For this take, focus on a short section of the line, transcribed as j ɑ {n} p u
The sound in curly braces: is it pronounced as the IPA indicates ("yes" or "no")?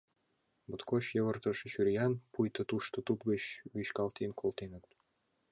yes